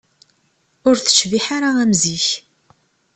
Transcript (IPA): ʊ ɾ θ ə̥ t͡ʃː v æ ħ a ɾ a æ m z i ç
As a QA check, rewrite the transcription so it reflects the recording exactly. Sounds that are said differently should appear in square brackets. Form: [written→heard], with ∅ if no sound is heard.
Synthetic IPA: ʊ ɾ θ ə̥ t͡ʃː v [æ→i] ħ a ɾ a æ m z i ç